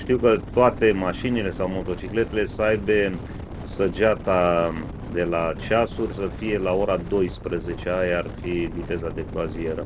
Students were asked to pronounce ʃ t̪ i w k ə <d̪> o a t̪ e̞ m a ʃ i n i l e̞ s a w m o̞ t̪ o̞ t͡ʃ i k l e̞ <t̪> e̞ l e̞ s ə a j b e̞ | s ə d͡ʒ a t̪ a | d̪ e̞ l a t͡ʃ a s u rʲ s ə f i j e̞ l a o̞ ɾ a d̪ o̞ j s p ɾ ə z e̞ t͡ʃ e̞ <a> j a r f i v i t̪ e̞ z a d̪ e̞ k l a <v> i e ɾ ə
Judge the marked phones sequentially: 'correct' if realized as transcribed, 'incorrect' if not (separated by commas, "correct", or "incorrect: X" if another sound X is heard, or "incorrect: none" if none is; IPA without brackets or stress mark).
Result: incorrect: t̪, correct, correct, incorrect: z